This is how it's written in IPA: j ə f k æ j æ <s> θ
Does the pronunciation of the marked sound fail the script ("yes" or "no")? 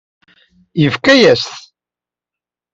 no